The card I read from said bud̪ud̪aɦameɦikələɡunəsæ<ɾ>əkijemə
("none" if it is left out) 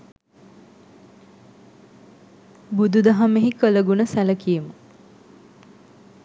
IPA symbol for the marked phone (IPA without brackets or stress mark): l